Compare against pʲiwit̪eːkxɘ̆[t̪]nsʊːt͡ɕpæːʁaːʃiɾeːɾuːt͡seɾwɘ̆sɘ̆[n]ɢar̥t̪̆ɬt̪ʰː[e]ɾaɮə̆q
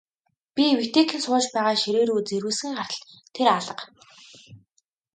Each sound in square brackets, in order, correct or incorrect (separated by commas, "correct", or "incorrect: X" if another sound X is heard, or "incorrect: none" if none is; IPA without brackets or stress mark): incorrect: none, incorrect: ŋ, correct